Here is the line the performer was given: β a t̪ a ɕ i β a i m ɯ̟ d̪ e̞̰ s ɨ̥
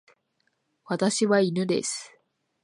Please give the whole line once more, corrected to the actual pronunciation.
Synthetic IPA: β a t̪ a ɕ i β a i n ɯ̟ d̪ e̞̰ s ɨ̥